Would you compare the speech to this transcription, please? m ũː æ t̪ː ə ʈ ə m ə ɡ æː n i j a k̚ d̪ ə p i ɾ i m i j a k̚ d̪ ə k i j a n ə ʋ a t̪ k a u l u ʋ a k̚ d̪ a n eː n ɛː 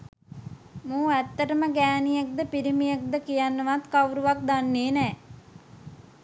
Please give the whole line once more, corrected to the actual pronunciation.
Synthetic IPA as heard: m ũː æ t̪ː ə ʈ ə m ə ɡ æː n i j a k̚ d̪ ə p i ɾ i m i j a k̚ d̪ ə k i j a nː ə ʋ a t̪ k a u ɾ u ʋ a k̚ d̪ a nː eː n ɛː